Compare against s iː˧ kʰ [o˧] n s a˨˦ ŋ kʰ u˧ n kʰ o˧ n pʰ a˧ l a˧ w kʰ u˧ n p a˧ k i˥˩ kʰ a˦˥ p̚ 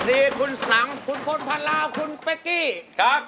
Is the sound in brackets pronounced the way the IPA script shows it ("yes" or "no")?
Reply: no